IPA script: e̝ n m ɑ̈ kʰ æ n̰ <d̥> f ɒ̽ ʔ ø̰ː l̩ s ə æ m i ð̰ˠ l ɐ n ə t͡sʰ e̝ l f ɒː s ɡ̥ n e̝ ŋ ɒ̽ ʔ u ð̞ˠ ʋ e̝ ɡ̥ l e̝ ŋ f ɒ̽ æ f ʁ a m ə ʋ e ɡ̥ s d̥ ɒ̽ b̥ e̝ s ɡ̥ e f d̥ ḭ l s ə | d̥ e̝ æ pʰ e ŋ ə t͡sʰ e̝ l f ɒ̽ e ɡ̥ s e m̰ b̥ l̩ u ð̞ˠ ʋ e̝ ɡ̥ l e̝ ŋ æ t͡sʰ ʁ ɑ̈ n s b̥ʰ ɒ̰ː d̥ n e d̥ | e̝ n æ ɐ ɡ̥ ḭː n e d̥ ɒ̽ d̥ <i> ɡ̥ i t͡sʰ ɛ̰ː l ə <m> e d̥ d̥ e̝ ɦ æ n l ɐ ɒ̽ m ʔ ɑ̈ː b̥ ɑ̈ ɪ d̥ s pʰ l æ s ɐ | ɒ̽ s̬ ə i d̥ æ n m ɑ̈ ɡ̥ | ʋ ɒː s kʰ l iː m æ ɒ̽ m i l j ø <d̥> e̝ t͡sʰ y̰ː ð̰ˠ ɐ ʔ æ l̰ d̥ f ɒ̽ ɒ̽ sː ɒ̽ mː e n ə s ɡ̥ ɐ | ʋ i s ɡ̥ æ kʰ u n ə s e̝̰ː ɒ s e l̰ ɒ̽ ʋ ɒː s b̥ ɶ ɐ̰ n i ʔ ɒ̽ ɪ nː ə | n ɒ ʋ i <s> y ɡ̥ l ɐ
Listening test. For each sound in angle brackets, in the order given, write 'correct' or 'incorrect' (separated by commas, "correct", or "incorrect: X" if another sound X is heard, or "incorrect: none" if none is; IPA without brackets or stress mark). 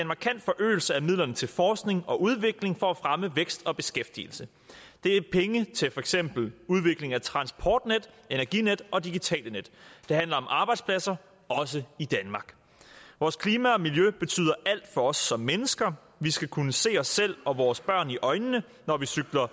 correct, correct, incorrect: n, incorrect: b̥, correct